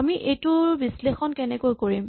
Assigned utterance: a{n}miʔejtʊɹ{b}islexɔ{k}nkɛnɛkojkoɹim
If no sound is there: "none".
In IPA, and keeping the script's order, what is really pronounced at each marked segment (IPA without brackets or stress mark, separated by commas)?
none, b, none